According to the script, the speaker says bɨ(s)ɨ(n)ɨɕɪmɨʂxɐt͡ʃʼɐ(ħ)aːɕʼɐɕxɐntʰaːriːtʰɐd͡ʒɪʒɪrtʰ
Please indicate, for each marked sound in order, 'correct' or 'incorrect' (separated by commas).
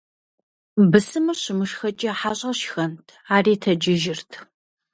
correct, incorrect, correct